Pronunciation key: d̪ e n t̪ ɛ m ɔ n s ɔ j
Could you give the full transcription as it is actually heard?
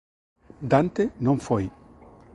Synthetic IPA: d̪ a n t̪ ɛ n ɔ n f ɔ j